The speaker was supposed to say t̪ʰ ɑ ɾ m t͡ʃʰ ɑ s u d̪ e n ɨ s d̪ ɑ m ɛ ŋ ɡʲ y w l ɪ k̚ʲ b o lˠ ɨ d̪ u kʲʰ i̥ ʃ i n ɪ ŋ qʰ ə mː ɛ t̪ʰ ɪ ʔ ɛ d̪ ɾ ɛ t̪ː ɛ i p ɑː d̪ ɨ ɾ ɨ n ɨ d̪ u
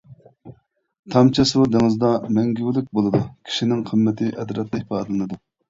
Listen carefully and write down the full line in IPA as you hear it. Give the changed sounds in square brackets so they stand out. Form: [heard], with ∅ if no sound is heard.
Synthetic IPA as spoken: t̪ʰ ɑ [∅] m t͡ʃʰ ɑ s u d̪ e [ŋ] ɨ [z] d̪ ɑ m ɛ ŋ ɡʲ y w l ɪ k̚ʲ b o lˠ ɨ d̪ u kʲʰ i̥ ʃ i n ɪ ŋ qʰ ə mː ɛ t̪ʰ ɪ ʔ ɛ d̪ ɾ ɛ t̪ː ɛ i p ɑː d̪ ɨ [l] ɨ n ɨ d̪ u